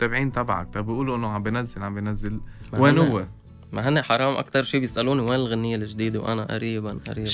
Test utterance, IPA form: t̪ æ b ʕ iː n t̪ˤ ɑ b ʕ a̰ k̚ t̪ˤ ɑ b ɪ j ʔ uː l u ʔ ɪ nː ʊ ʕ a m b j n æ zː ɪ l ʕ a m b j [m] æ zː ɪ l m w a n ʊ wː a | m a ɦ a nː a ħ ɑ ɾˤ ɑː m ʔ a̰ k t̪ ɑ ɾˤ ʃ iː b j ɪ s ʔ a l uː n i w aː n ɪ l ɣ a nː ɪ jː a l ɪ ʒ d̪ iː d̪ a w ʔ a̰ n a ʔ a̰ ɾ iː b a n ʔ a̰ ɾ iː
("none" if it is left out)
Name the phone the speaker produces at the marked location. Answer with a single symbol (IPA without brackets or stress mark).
n